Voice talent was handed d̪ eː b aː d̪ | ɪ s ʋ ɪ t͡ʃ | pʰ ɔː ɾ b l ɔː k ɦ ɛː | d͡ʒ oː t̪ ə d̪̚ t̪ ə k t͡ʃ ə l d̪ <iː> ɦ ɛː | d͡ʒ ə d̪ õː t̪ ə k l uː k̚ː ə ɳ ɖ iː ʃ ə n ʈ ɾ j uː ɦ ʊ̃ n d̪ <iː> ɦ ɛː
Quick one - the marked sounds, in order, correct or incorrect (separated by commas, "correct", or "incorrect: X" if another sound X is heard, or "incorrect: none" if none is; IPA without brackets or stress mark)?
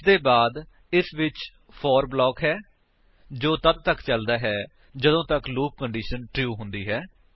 incorrect: aː, correct